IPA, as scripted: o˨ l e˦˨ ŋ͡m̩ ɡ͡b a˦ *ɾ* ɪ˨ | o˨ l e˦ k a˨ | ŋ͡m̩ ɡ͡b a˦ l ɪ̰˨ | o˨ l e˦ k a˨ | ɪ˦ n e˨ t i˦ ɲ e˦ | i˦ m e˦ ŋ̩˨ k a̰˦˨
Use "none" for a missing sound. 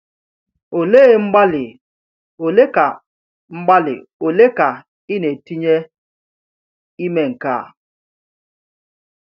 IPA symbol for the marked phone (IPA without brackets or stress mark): l